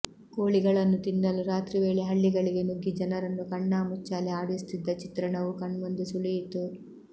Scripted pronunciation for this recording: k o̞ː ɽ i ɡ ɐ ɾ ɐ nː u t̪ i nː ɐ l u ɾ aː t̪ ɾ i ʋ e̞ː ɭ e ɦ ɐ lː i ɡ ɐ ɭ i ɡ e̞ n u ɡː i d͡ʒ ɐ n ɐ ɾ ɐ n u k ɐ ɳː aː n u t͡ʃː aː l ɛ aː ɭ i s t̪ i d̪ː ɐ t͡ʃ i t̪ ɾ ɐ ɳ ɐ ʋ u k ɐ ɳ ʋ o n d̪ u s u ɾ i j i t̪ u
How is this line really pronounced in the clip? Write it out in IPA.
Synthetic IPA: k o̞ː ɭ i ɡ ɐ ɭ ɐ nː u t̪ i nː ɐ l u ɾ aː t̪ ɾ i ʋ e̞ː ɭ e ɦ ɐ ɭː i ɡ ɐ ɭ i ɡ e̞ n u ɡː i d͡ʒ ɐ n ɐ ɾ ɐ nː u k ɐ ɳː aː m u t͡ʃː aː l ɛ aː ɽ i s t̪ i d̪ː ɐ t͡ʃ i t̪ ɾ ɐ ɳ ɐ ʋ u k ɐ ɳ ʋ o n d̪ u s u ɭ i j i t̪ u